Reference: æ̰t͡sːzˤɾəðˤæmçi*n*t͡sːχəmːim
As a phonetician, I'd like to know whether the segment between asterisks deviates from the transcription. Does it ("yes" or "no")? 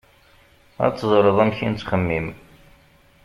no